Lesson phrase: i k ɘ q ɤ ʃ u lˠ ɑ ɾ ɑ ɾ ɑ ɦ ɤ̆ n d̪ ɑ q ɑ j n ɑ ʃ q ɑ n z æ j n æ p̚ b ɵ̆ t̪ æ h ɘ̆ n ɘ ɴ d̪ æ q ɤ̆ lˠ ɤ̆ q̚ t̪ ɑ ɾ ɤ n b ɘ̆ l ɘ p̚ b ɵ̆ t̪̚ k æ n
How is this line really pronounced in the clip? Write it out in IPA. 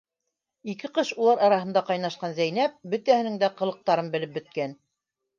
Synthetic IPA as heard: i k ɘ q ɤ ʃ u lˠ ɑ ɾ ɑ ɾ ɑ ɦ ɤ̆ n d̪ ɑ q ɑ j n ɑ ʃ q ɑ n z æ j n æ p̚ b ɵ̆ t̪ æ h ɘ̆ n ɘ ŋ d̪ æ q ɤ̆ lˠ ɤ̆ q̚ t̪ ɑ ɾ ɤ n b ɘ̆ l ɘ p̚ b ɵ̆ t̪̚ k æ n